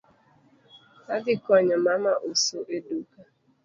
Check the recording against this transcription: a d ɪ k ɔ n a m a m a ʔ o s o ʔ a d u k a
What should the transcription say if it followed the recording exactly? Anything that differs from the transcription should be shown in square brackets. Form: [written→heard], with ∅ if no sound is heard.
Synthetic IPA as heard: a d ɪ k ɔ [n→ɲ] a m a m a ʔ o s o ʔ [a→e] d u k a